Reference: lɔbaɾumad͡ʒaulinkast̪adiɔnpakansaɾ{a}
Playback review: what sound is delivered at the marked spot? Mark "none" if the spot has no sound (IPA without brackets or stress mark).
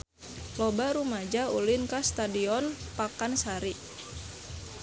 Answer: i